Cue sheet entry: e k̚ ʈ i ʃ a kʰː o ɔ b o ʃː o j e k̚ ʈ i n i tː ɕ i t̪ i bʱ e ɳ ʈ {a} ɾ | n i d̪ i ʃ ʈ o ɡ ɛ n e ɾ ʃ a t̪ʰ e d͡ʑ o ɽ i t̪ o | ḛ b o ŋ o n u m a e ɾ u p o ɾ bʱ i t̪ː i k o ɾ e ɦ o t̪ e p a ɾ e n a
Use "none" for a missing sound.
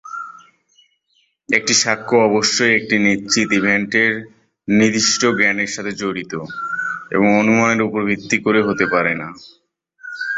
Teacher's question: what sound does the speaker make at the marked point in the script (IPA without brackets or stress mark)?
e